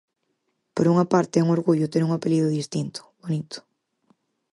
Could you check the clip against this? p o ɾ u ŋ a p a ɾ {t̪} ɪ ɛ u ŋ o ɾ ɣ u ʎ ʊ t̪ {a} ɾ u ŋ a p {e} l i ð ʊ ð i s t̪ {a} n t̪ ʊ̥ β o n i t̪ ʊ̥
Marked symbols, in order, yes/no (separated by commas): yes, no, yes, no